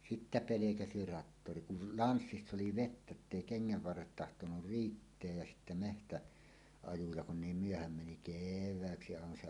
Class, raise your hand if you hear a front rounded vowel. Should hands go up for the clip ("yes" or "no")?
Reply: yes